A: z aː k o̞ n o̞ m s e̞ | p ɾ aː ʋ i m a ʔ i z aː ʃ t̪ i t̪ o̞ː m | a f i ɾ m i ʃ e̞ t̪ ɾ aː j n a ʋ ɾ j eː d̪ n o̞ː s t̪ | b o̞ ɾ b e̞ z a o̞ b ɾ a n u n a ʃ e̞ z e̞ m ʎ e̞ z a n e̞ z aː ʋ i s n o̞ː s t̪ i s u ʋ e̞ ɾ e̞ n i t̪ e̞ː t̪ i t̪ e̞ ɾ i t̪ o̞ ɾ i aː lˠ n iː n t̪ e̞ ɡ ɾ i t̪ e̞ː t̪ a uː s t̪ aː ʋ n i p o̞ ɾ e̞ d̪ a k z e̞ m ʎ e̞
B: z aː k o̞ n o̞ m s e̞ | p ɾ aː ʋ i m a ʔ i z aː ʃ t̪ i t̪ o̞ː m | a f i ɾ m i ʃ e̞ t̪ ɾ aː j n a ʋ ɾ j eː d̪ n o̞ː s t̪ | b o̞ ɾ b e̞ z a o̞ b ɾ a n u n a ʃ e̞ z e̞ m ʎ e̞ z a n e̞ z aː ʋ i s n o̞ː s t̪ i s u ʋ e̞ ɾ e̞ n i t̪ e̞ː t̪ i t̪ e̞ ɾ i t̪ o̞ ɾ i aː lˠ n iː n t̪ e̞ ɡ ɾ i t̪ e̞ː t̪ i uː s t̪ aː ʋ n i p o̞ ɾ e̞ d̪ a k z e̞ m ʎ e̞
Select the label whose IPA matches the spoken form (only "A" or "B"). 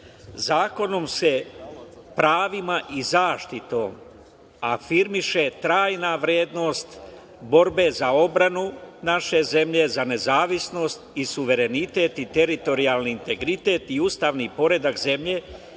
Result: B